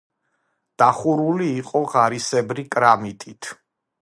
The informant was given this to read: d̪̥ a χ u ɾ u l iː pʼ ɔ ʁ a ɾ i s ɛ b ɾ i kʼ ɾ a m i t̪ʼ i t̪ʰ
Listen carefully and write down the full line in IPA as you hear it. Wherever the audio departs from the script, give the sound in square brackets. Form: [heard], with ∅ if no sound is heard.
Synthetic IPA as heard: d̪̥ a χ u ɾ u l iː [qʼ] ɔ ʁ a ɾ i s ɛ b ɾ i kʼ ɾ a m i t̪ʼ i t̪ʰ